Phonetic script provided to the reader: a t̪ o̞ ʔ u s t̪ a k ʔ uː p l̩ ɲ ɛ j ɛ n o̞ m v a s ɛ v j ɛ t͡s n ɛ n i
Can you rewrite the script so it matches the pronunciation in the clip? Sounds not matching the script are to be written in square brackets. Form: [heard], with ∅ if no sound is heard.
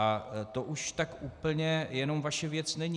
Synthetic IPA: a t̪ o̞ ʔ u [ʃ] t̪ a k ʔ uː p l̩ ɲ ɛ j ɛ n o̞ m v a [ʃ] ɛ v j ɛ t͡s n ɛ [ɲ] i